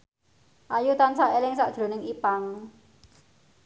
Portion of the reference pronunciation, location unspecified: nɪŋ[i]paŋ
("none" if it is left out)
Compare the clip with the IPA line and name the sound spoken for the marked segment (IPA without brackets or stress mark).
i